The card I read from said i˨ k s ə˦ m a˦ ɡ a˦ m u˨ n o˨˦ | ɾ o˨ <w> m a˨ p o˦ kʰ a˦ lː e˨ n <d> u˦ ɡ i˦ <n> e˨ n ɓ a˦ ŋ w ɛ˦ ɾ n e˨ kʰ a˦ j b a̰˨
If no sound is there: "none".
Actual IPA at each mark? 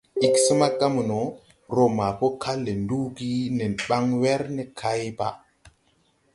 none, d, n

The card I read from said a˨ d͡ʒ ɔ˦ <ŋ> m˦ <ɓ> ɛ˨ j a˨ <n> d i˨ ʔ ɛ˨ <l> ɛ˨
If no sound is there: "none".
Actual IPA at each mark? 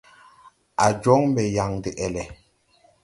ŋ, b, ŋ, l

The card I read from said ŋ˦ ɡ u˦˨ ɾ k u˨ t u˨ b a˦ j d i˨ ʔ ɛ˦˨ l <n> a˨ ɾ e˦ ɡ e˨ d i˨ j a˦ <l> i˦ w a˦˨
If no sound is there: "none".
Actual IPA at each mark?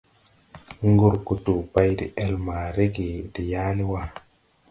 m, l

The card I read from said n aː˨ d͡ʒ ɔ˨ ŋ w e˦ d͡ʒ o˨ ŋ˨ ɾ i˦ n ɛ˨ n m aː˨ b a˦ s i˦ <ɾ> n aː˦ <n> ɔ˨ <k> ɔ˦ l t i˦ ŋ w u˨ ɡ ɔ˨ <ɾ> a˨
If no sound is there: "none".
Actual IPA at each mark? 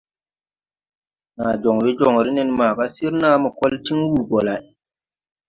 ɾ, m, k, l

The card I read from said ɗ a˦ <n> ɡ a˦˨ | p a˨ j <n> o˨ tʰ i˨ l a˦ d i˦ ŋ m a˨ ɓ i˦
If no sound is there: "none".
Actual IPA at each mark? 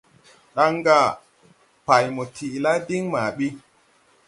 ŋ, m

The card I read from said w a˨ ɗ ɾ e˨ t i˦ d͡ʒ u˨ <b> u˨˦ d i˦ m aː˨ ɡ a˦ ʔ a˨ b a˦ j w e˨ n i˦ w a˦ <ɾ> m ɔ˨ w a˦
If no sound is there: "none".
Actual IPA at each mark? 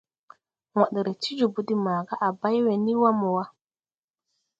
b, none

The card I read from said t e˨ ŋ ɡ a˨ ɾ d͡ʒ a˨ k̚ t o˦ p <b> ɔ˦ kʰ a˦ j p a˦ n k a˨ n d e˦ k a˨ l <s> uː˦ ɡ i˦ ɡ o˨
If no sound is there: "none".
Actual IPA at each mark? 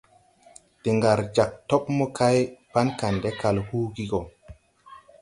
m, h

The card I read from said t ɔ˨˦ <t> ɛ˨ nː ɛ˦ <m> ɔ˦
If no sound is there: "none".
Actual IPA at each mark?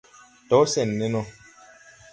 s, n

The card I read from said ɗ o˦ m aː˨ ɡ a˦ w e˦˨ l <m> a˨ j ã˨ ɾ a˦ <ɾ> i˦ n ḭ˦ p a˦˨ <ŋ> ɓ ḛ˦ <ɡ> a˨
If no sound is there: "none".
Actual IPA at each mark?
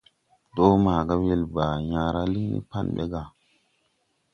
b, l, n, ɡ

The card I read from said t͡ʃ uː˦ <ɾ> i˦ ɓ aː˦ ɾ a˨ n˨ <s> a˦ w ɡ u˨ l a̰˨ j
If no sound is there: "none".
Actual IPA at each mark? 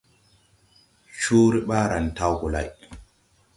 ɾ, t

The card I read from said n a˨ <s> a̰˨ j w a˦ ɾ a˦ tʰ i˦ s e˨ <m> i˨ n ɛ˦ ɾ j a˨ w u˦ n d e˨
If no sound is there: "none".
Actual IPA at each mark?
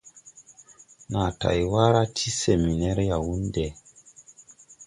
t, m

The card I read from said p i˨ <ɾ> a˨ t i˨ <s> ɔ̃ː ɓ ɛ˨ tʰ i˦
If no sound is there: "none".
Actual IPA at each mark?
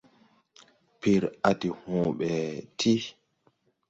ɾ, h

